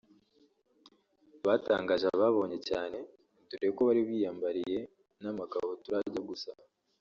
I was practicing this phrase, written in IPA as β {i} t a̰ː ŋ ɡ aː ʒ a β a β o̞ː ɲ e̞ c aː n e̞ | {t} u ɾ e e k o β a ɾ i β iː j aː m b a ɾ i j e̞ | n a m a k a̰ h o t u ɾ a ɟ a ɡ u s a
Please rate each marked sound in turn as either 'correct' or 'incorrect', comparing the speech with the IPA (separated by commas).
incorrect, correct